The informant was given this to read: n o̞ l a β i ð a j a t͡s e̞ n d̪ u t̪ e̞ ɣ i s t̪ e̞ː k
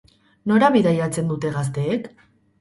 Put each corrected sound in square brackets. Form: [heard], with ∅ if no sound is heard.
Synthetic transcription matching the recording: n o̞ [ɾ] a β i ð a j a t͡s e̞ n d̪ u t̪ e̞ ɣ [a] s t̪ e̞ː k